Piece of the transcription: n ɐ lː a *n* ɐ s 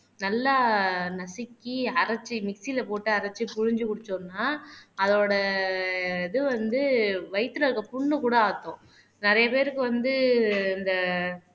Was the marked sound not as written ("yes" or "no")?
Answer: no